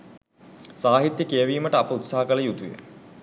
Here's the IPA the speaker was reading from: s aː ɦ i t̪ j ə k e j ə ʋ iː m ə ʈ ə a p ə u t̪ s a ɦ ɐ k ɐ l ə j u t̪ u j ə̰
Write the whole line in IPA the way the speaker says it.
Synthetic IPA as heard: s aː ɦ i t̪ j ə k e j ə ʋ iː m ə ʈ ə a p ə u t̪ s a ɦ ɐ k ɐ l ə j u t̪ u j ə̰